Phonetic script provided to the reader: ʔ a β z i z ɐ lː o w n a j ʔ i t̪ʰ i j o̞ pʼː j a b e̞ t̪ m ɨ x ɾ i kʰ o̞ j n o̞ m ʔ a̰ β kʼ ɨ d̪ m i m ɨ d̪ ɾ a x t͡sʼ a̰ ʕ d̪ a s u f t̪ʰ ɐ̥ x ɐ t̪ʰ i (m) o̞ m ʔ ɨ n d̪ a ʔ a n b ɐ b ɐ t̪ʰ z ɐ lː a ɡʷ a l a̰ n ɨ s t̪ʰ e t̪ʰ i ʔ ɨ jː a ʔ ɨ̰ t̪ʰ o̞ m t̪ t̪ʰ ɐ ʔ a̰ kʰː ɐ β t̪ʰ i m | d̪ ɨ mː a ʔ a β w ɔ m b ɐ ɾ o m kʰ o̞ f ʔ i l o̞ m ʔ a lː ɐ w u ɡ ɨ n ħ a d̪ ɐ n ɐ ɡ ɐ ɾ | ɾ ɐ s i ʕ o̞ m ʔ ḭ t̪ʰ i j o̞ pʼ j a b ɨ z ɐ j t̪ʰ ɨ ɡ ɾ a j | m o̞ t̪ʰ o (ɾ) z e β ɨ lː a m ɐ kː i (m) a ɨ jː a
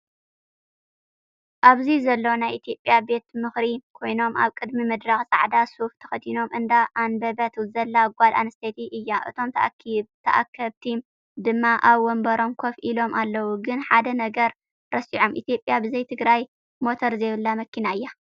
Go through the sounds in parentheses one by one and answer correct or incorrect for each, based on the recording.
incorrect, correct, incorrect

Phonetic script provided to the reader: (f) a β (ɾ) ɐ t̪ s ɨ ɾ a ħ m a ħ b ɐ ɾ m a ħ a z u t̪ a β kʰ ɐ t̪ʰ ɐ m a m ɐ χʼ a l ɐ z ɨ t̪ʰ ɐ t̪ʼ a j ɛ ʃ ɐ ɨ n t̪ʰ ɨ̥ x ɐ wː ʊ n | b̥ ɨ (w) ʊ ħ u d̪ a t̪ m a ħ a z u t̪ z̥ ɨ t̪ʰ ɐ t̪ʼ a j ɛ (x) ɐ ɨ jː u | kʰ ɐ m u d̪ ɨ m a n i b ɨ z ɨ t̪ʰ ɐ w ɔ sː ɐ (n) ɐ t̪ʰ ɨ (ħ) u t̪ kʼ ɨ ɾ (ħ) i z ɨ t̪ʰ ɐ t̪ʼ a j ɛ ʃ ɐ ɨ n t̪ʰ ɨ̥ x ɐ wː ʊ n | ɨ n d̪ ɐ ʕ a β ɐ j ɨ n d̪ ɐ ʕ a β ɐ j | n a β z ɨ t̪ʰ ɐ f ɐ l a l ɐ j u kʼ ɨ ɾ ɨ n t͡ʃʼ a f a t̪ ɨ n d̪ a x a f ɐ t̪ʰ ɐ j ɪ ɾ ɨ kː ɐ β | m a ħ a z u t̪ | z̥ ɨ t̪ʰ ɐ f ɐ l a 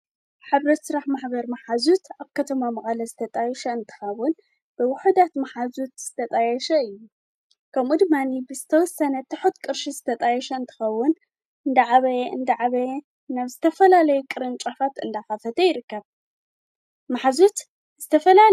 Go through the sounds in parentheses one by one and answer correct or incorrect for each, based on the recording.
incorrect, correct, correct, incorrect, correct, correct, incorrect

